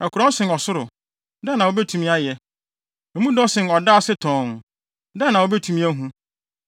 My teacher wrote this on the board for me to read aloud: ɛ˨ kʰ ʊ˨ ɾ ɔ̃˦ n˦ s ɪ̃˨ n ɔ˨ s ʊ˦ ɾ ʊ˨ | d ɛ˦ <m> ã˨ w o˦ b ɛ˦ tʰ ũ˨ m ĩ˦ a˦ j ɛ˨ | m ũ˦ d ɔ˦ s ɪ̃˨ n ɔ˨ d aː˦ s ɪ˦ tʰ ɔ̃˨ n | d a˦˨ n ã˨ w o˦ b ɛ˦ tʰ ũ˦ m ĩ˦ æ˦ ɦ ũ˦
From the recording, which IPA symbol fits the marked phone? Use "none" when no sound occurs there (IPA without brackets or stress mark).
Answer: n